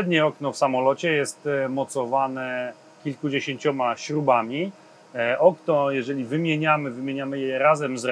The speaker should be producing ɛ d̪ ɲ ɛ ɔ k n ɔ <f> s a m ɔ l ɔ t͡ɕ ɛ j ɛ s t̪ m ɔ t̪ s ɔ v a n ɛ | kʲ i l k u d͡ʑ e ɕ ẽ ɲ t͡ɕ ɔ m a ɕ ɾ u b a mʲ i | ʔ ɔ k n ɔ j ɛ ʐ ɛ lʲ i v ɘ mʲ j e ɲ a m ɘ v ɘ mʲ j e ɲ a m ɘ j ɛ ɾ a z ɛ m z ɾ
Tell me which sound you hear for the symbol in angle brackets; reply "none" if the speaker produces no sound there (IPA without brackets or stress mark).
f